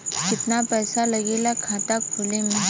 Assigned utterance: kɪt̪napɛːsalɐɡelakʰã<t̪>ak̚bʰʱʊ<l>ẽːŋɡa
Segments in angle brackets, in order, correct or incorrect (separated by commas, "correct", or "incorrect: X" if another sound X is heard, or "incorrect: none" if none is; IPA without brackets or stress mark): correct, correct